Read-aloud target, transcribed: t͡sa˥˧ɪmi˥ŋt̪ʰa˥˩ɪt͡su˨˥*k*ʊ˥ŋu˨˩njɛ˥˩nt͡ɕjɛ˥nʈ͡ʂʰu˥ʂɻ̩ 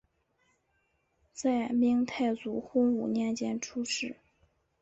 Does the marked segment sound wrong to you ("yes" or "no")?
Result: yes